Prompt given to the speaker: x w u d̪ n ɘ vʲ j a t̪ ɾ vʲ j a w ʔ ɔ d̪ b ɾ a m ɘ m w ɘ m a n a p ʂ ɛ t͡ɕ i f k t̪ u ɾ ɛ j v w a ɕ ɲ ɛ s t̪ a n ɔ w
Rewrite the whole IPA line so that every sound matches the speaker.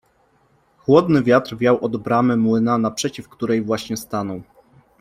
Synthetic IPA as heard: x w ɔ d̪ n ɘ vʲ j a t̪ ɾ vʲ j a w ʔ ɔ d̪ b ɾ a m ɘ m w ɘ n a n a p ʂ ɛ t͡ɕ i f k t̪ u ɾ ɛ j v w a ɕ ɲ ɛ s t̪ a n ɔ w

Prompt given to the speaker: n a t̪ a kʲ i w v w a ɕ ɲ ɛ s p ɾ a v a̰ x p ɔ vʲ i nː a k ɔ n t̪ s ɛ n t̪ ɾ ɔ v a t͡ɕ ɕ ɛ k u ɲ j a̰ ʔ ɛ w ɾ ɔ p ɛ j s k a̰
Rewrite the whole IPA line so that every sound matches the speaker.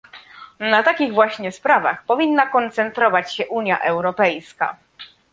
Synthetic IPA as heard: n a t̪ a kʲ i ɣ v w a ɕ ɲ ɛ s p ɾ a v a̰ x p ɔ vʲ i nː a k ɔ n t̪ s ɛ n t̪ ɾ ɔ v a t͡ɕ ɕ ɛ ʔ u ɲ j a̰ ʔ ɛ w ɾ ɔ p ɛ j s k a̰

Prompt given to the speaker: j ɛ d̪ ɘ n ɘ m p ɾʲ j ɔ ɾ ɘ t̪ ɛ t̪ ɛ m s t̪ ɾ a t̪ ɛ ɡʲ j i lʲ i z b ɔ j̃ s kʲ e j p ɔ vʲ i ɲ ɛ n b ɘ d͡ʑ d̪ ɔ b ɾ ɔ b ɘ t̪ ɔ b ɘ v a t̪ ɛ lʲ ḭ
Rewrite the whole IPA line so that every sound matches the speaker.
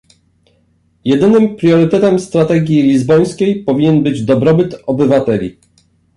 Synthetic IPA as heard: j ɛ d̪ ɘ n ɘ m p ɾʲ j ɔ ɾ ɘ t̪ ɛ t̪ ɛ m s t̪ ɾ a t̪ ɛ ɡʲ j i lʲ i z b ɔ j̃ s kʲ e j p ɔ vʲ i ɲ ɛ n b ɘ d͡ʑ d̪ ɔ b ɾ ɔ b ɘ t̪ ɔ b ɘ v a t̪ ɛ lʲ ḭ

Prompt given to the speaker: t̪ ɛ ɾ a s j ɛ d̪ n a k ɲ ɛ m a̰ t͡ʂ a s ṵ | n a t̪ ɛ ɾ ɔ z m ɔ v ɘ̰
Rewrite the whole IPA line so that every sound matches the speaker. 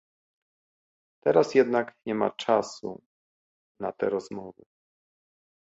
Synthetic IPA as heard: t̪ ɛ ɾ a s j ɛ d̪ n a k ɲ ɛ m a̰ t͡ʂ a s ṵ | n a t̪ ɛ ɾ ɔ z m ɔ v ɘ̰

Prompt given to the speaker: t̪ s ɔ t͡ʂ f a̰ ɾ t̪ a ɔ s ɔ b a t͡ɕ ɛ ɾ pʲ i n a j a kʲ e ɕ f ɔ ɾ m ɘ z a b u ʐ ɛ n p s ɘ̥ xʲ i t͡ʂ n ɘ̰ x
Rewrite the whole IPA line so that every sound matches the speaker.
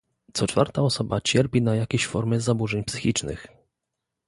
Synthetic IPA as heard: t̪ s ɔ t͡ʂ f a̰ ɾ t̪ a ɔ s ɔ b a t͡ɕ ɛ ɾ pʲ i n a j a kʲ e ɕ f ɔ ɾ m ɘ z a b u ʐ ɛ ɲ p s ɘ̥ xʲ i t͡ʂ n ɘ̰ x

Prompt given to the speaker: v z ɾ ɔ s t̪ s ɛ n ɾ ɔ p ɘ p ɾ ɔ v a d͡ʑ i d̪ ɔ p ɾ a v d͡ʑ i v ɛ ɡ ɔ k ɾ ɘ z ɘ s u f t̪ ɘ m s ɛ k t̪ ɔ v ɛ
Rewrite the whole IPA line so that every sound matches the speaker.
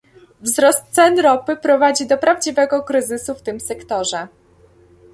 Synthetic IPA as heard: v z ɾ ɔ s t̪ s ɛ n ɾ ɔ p ɘ p ɾ ɔ v a d͡ʑ i d̪ ɔ p ɾ a v d͡ʑ i v ɛ ɡ ɔ k ɾ ɘ z ɘ s u f t̪ ɘ m s ɛ k t̪ ɔ ʐ ɛ

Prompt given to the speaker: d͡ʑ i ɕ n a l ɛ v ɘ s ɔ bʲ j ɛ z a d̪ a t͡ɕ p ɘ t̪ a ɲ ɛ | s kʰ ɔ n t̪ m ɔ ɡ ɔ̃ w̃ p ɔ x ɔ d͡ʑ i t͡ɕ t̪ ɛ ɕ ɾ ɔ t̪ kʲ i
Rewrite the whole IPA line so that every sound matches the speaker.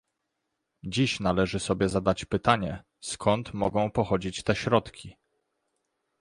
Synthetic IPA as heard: d͡ʑ i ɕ n a l ɛ ʐ ɘ s ɔ bʲ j ɛ z a d̪ a t͡ɕ p ɘ t̪ a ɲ ɛ | s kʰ ɔ n t̪ m ɔ ɡ ɔ̃ w̃ p ɔ x ɔ d͡ʑ i t͡ɕ t̪ ɛ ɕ ɾ ɔ t̪ kʲ i

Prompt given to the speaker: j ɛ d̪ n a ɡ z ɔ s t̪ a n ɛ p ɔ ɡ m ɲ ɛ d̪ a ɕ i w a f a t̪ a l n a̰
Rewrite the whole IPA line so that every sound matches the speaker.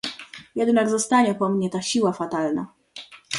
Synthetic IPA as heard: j ɛ d̪ n a ɡ z ɔ s t̪ a ɲ ɛ p ɔ m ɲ ɛ t̪ a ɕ i w a f a t̪ a l n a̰

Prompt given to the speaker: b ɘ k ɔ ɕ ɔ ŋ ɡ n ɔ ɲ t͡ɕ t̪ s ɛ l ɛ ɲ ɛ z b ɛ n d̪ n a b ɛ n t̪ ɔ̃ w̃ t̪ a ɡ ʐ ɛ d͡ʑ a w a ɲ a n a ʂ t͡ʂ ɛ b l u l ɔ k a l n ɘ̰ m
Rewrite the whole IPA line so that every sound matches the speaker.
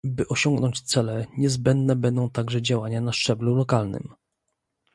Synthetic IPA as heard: b ɘ ʔ ɔ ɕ ɔ ŋ ɡ n ɔ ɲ t͡ɕ t̪ s ɛ l ɛ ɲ ɛ z b ɛ n d̪ n ɛ b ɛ n d̪ ɔ̃ w̃ t̪ a ɡ ʐ ɛ d͡ʑ a w a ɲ a n a ʂ t͡ʂ ɛ b l u l ɔ k a l n ɘ̰ m

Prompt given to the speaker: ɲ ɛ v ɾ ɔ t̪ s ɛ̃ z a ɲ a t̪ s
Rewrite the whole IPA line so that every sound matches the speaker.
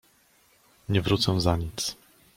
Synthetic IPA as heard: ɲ ɛ v ɾ u t̪ s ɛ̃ z a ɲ i t̪ s

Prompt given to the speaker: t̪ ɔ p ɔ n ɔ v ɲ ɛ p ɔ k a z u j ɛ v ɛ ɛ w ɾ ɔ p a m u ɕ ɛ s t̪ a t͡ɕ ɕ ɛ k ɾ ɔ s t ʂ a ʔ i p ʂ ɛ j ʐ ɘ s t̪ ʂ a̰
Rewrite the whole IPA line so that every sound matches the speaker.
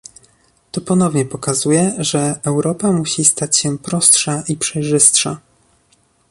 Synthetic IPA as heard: t̪ ɔ p ɔ n ɔ v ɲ ɛ p ɔ k a z u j ɛ ʐ ɛ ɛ w ɾ ɔ p a m u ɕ i s t̪ a t͡ɕ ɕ ɛ p ɾ ɔ s t ʂ a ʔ i p ʂ ɛ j ʐ ɘ s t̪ ʂ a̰

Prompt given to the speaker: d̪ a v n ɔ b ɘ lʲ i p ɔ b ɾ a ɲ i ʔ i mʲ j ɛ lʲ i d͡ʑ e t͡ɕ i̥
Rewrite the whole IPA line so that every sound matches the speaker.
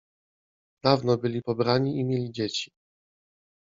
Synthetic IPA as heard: d̪ a v n ɔ b ɘ lʲ i p ɔ b ɾ a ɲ i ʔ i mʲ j e lʲ i d͡ʑ e t͡ɕ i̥

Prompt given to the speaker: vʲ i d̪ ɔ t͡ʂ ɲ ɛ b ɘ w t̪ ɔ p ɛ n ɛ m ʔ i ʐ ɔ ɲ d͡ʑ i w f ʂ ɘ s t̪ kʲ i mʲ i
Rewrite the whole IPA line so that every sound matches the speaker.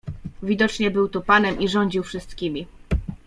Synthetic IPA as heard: vʲ i d̪ ɔ t͡ʂ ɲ ɛ b ɘ w t̪ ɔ p a n ɛ m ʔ i ʐ ɔ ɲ d͡ʑ i w f ʂ ɘ s t̪ kʲ i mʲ i

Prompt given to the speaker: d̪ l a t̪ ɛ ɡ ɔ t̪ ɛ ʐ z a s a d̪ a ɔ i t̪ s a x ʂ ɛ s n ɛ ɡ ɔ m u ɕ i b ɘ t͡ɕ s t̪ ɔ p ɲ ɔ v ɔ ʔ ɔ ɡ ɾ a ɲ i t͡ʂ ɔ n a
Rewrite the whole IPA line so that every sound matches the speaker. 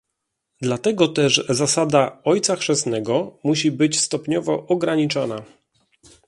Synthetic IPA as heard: d̪ l a t̪ ɛ ɡ ɔ t̪ ɛ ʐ z a s a d̪ a ɔ j t̪ s a x ʂ ɛ s n ɛ ɡ ɔ m u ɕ i b ɘ t͡ɕ s t̪ ɔ p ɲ ɔ v ɔ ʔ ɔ ɡ ɾ a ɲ i t͡ʂ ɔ n a

